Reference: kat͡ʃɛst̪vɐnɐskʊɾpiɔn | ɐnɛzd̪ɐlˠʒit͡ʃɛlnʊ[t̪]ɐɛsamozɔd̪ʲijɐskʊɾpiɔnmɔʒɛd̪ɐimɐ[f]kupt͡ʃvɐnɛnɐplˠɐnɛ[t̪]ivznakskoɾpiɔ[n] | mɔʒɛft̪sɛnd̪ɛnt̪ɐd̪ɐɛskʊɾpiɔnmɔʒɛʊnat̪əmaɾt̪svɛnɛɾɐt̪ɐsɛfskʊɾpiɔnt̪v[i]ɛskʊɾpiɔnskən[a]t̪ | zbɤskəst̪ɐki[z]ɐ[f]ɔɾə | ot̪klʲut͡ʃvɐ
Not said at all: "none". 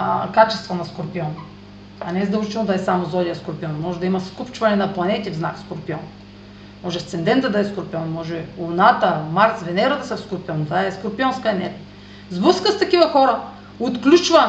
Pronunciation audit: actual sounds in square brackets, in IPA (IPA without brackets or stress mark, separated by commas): d̪, s, t̪, n, a, ɛ, v, x